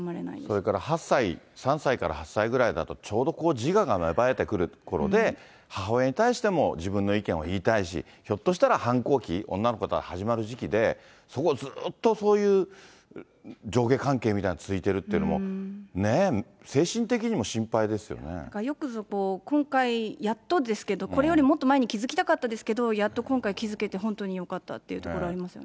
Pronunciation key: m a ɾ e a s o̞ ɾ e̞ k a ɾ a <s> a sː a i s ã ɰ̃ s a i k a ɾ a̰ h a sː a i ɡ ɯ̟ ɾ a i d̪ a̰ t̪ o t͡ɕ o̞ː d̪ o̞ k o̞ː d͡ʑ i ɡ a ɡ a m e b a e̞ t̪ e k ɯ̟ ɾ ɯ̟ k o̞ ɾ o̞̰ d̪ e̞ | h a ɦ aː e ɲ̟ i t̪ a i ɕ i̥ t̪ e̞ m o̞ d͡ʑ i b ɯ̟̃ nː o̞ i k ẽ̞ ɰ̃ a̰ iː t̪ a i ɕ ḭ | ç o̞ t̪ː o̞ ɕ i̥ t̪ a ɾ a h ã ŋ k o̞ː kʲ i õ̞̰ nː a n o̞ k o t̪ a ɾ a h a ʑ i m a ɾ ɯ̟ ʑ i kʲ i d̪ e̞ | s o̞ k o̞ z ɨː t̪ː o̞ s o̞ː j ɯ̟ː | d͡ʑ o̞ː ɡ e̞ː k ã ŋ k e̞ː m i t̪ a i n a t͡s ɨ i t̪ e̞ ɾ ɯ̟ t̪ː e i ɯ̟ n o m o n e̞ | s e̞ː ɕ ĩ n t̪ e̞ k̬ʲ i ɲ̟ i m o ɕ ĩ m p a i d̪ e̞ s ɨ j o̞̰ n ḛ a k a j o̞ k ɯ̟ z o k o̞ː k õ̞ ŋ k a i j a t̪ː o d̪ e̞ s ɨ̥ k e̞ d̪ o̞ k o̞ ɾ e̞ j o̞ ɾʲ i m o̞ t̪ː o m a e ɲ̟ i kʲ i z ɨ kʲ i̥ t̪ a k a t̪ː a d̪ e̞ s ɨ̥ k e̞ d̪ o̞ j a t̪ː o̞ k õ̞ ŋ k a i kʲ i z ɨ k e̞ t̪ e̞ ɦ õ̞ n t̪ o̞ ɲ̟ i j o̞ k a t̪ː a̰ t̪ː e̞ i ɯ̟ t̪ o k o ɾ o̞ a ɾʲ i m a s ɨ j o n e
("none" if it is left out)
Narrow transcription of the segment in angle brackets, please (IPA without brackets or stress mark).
h